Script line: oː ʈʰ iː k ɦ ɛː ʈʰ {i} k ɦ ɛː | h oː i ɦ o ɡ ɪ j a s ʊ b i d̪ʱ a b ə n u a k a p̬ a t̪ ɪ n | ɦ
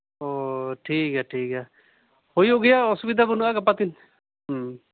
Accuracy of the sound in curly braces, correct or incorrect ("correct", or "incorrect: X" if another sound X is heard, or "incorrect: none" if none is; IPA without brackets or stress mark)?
incorrect: iː